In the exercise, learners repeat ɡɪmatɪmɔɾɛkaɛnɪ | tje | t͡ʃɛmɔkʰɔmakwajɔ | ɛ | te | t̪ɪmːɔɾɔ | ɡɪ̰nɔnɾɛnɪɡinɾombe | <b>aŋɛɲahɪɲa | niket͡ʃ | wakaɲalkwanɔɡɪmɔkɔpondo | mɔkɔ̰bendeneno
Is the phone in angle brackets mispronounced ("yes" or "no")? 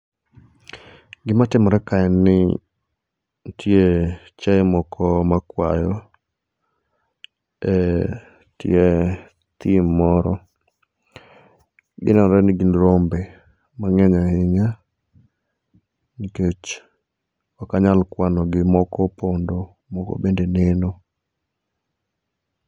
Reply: yes